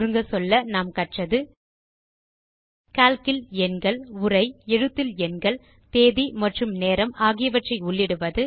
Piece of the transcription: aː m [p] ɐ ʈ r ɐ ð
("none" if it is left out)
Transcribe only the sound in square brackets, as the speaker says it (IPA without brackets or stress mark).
k